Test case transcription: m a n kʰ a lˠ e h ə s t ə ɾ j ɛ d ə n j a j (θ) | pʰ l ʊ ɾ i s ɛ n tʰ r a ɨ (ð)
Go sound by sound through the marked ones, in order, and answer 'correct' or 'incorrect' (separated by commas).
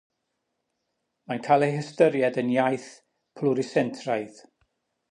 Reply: correct, correct